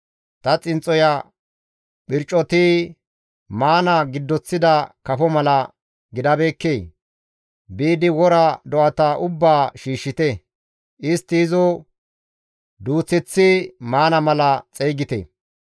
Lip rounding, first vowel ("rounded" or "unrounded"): unrounded